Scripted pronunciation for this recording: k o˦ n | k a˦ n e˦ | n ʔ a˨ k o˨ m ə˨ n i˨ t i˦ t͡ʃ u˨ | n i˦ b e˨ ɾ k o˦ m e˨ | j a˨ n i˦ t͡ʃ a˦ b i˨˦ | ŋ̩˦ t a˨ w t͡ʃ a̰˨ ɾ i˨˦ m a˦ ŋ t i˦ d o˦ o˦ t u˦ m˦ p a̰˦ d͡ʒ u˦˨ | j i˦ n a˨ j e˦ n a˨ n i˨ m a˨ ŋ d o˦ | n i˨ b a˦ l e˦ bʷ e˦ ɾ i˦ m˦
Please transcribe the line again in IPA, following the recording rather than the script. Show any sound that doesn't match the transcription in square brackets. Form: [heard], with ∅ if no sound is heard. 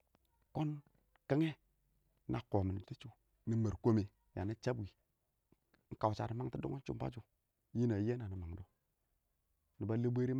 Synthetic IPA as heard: k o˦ n | k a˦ [ŋ] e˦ | n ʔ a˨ k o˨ m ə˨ n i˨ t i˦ t͡ʃ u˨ | n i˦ [m] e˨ ɾ k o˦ m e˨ | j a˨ n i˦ t͡ʃ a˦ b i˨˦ | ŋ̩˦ [k] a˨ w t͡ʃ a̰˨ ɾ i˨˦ m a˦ ŋ t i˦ d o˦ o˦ [t͡ʃ] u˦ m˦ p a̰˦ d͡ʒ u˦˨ | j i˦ n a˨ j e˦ n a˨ n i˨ m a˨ ŋ d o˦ | n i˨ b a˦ l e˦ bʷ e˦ ɾ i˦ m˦